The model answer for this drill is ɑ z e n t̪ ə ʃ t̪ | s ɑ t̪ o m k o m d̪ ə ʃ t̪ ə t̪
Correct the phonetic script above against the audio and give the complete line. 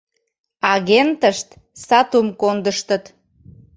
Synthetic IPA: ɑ ɣ e n t̪ ə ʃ t̪ | s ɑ t̪ u m k o n d̪ ə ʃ t̪ ə t̪